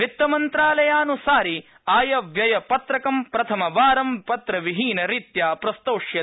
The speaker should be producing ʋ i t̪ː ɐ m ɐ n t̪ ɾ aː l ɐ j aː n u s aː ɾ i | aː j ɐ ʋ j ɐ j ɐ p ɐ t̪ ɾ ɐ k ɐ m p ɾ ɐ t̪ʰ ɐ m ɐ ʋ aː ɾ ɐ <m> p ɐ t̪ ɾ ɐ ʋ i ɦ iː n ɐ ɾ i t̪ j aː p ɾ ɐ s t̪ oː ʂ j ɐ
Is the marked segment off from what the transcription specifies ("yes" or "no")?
no